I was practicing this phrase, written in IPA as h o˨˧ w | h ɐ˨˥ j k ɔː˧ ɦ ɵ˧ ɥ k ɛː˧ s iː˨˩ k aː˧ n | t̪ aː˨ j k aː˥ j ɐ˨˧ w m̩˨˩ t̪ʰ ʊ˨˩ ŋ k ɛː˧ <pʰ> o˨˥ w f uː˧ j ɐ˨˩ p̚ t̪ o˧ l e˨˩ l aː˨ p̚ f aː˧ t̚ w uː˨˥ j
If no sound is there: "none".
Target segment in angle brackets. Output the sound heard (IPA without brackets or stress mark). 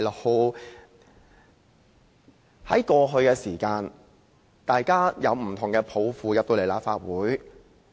pʰ